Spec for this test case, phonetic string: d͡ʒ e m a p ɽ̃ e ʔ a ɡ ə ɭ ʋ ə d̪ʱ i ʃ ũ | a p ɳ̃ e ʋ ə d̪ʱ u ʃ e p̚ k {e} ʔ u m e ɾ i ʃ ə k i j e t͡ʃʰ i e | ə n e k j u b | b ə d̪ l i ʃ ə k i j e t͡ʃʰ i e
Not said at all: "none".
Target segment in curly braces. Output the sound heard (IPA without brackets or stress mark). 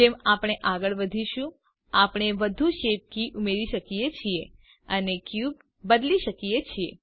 i